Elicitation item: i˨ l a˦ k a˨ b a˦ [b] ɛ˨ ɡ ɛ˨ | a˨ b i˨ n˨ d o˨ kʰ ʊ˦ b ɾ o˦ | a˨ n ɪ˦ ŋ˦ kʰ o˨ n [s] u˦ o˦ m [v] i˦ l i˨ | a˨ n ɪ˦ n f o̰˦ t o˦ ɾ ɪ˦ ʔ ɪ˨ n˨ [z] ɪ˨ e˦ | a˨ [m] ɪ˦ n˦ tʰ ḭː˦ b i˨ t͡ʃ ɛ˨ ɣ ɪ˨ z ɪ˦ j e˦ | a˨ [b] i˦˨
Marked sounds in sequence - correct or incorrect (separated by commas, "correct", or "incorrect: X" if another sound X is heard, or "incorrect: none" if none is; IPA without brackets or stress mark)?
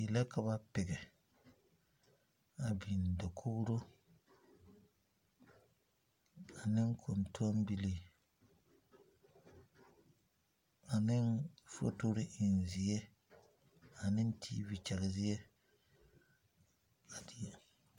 incorrect: p, incorrect: t, incorrect: b, correct, incorrect: n, incorrect: d